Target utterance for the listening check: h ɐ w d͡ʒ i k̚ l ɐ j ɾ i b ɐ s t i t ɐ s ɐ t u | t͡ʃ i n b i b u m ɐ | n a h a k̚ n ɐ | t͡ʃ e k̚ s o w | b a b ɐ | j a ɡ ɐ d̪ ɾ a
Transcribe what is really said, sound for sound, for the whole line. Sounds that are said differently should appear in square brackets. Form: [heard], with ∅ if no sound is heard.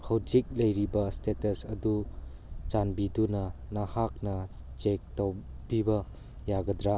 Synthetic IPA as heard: h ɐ w d͡ʒ i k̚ l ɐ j ɾ i b ɐ s t [e] t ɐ s ɐ [d] u | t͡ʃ [a] n b i [d] u [n] ɐ | n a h a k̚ n ɐ | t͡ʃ e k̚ [t] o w | b [i] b ɐ | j a ɡ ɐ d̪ ɾ a